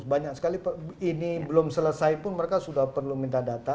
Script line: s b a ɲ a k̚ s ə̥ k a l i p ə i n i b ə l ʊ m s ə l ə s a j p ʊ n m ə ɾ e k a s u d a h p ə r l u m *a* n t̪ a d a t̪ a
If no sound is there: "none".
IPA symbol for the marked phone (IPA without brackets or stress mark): i